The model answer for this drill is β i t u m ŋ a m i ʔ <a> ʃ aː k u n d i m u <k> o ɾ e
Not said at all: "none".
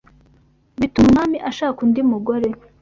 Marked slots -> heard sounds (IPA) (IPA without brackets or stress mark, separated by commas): a, ɡ